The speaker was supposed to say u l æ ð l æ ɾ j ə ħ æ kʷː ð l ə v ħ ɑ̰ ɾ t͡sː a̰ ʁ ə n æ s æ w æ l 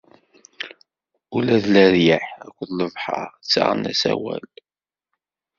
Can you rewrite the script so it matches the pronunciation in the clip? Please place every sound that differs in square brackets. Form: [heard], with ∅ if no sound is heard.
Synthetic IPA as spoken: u l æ ð l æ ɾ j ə ħ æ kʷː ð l ə v ħ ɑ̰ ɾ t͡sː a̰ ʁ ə n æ s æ w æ l